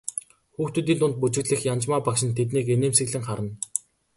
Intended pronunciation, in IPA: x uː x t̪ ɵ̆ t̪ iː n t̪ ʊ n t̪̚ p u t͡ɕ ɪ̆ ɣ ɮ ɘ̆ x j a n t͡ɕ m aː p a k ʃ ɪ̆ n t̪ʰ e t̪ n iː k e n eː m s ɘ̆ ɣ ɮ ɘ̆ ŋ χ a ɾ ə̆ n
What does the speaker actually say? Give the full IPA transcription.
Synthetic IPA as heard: x uː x t̪ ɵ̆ t̪ iː n t̪ ʊ n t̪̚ p u t͡ɕ ɪ̆ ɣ ɮ ɘ̆ x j a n t͡ɕ m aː p a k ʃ ɪ̆ n t̪ʰ e t̪ n iː k e n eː m s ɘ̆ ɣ ɮ ɘ̆ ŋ χ a ɾ ə̆ n